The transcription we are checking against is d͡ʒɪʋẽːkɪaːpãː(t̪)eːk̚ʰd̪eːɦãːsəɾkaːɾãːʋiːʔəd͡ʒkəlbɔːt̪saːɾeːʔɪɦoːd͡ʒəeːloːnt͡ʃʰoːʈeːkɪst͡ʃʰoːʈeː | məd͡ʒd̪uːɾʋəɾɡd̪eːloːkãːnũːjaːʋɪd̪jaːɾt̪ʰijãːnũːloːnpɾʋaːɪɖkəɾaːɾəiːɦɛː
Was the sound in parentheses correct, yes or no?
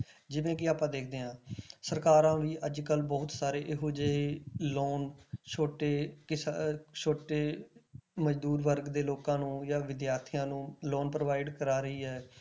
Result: no